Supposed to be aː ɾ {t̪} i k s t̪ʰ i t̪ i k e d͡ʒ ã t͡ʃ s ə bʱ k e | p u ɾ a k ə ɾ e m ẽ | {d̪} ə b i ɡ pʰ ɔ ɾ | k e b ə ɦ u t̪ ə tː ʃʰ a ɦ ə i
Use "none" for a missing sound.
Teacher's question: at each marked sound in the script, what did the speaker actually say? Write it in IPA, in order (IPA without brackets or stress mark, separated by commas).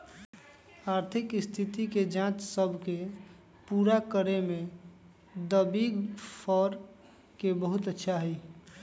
t̪ʰ, d̪